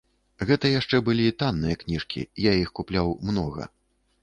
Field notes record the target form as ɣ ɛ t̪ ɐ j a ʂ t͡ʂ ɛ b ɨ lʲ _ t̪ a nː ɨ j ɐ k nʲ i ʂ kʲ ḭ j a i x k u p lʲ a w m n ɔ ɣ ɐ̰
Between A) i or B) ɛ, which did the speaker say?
A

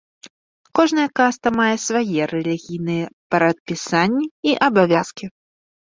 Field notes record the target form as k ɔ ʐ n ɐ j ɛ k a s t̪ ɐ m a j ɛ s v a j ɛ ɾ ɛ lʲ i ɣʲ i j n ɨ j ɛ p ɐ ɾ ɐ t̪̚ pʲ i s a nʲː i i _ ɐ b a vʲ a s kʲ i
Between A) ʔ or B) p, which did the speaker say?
A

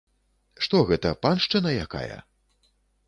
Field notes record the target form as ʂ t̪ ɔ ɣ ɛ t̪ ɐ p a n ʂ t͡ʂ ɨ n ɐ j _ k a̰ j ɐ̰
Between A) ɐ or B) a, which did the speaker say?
B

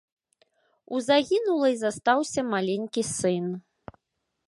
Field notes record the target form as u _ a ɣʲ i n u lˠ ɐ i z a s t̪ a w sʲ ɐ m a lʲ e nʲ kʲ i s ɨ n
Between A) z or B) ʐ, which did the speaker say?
A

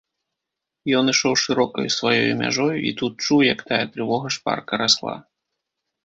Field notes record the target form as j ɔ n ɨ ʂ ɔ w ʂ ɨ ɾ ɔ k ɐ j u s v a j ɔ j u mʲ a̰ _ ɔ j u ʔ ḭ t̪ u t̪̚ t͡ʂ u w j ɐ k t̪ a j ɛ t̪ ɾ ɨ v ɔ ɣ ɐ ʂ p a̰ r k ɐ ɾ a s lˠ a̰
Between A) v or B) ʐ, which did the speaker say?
B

